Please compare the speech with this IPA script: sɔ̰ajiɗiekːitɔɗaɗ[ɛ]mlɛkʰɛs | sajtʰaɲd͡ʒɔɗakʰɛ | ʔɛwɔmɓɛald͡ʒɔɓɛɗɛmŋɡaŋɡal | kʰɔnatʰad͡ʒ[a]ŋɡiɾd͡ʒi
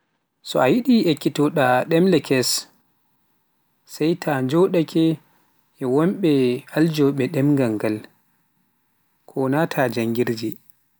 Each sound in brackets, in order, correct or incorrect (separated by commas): correct, correct